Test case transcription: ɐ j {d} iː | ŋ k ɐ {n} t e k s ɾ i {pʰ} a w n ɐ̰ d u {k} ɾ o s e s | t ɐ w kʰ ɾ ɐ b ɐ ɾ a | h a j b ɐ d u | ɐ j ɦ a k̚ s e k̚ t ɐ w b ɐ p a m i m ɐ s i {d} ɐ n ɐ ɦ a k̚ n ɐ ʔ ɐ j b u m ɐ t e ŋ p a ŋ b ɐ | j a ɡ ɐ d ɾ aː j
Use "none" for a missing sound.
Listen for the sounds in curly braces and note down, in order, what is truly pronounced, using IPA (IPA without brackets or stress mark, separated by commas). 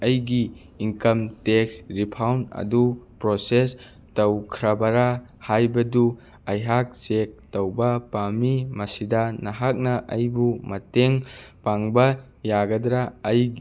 ɡ, m, pʰ, p, d